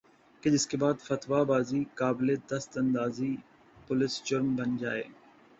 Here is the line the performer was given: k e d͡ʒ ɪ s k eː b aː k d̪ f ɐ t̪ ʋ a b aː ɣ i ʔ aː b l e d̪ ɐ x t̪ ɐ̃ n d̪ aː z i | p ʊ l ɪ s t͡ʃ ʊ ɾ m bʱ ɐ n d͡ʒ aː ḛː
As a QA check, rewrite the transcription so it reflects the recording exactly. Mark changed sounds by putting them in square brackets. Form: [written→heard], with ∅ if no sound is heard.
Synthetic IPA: k e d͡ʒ ɪ s k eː b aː [k→∅] d̪ f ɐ t̪ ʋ a b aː [ɣ→z] i [ʔ→k] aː b l e d̪ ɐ [x→s] t̪ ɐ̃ n d̪ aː z i | p ʊ l ɪ s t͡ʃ ʊ ɾ m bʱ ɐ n d͡ʒ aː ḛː

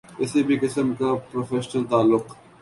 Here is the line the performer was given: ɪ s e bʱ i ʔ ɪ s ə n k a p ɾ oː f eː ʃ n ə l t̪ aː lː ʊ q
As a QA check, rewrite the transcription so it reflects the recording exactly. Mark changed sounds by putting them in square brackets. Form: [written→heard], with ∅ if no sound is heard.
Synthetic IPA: ɪ s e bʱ i [ʔ→k] ɪ s ə [n→m] k a p ɾ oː f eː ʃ n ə l t̪ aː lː ʊ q

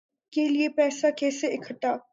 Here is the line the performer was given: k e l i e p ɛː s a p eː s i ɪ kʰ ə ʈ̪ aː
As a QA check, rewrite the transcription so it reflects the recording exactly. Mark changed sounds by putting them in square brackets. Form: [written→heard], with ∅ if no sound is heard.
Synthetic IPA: k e l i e p ɛː s a [p→k] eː s [i→e] ɪ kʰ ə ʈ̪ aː

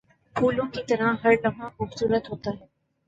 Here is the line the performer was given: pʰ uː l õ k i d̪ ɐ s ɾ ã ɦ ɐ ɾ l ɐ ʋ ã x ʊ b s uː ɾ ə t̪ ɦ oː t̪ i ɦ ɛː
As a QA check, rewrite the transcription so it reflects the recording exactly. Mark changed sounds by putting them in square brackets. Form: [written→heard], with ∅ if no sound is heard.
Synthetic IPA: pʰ uː l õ k i [d̪→t̪] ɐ [s→∅] ɾ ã ɦ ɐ ɾ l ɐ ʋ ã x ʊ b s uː ɾ ə t̪ ɦ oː t̪ [i→a] ɦ ɛː

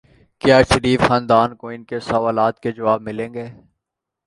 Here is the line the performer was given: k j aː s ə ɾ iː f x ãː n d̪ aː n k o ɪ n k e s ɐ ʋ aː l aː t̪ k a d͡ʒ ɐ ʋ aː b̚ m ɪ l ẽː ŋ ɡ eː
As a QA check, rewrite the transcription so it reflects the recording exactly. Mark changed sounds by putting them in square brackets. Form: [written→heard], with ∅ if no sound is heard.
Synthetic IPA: k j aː [s→ʃ] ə ɾ iː f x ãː n d̪ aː n k o ɪ n k e s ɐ ʋ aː l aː t̪ k [a→e] d͡ʒ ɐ ʋ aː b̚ m ɪ l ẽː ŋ ɡ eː

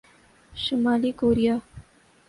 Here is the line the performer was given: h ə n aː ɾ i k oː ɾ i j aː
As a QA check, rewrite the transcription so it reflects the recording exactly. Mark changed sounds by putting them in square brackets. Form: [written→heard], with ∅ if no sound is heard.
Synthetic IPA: [h→ʃ] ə [n→m] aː [ɾ→l] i k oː ɾ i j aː

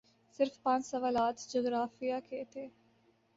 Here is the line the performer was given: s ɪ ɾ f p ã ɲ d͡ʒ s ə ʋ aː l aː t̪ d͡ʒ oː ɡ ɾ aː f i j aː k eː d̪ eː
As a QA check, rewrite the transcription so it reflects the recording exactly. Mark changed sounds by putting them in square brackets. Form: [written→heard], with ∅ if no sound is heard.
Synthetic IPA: s ɪ ɾ f p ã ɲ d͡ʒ s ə ʋ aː l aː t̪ d͡ʒ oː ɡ ɾ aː f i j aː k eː [d̪→t̪] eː

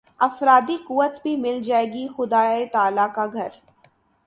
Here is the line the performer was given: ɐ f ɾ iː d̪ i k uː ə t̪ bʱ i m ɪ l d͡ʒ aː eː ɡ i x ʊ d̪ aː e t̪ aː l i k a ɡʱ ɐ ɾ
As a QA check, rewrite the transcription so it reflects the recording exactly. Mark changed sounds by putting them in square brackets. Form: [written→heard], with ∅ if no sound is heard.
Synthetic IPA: ɐ f ɾ [iː→aː] d̪ i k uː ə t̪ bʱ i m ɪ l d͡ʒ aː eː ɡ i x ʊ d̪ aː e t̪ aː l [i→a] k a ɡʱ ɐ ɾ

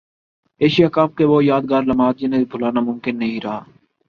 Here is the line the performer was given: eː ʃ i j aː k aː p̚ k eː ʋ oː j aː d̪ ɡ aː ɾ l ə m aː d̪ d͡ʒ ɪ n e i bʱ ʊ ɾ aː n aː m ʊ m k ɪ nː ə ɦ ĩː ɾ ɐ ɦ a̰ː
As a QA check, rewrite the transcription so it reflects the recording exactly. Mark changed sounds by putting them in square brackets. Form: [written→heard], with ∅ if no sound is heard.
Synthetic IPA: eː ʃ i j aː k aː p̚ k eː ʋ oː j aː d̪ ɡ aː ɾ l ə m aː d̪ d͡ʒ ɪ n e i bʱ ʊ [ɾ→l] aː n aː m ʊ m k ɪ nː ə ɦ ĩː ɾ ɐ ɦ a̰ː

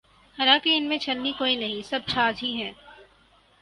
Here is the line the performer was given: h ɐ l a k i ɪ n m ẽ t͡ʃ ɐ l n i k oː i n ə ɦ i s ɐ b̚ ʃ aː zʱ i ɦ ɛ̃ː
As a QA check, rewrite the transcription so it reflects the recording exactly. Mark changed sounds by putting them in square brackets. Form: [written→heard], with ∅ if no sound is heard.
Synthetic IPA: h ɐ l a k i ɪ n m ẽ t͡ʃ ɐ l n i k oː i n [ə→ɐ] ɦ [i→ĩ] s ɐ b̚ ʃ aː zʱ i ɦ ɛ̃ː

